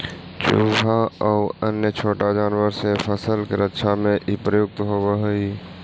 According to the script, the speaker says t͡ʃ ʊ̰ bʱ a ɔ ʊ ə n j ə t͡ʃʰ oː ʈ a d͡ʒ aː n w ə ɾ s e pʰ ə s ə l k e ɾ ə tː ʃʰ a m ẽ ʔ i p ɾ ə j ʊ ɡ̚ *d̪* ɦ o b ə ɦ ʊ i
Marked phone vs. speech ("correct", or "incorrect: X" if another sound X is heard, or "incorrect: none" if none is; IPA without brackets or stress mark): incorrect: t̪